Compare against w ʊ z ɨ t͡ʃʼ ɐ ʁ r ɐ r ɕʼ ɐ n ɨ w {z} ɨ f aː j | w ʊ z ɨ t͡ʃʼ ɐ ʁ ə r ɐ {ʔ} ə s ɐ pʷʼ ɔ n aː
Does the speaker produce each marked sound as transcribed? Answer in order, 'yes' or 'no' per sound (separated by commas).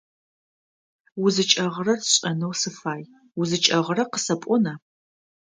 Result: no, no